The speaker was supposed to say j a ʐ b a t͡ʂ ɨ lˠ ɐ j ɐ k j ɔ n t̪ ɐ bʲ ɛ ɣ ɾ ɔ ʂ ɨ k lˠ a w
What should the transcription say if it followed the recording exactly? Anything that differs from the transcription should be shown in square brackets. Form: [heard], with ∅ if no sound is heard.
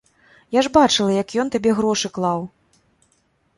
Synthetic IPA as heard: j a ʐ b a t͡ʂ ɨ lˠ ɐ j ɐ k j ɔ n t̪ [a] bʲ ɛ ɣ ɾ ɔ ʂ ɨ k lˠ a w